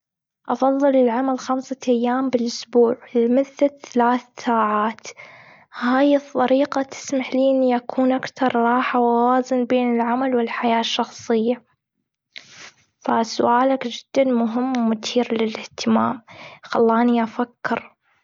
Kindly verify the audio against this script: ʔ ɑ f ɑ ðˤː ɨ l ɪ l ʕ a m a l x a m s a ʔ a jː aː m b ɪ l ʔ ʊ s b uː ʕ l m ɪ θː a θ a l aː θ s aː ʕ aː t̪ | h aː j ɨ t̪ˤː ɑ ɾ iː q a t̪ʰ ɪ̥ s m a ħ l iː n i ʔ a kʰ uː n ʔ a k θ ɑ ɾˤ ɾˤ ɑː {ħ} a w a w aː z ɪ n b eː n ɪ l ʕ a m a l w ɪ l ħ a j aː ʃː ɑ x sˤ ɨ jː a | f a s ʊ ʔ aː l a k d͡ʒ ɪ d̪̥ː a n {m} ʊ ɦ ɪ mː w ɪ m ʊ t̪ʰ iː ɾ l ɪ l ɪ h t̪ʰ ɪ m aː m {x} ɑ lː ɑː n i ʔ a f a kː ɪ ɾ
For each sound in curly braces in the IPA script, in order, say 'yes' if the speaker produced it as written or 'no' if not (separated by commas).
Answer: yes, yes, yes